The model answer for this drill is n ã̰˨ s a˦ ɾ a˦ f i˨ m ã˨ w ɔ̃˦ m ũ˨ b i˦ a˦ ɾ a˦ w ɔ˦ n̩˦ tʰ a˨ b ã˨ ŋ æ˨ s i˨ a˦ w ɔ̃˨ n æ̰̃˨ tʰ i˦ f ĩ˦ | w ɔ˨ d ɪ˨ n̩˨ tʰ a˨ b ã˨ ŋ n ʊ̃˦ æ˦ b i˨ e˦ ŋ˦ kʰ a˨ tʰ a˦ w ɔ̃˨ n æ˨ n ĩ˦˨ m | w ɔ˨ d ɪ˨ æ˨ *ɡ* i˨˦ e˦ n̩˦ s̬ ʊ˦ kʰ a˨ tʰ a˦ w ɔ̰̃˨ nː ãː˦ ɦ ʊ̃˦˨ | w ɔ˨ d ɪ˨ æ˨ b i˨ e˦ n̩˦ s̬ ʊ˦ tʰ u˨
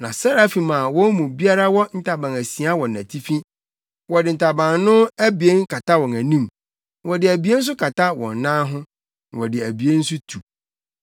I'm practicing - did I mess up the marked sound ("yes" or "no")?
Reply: yes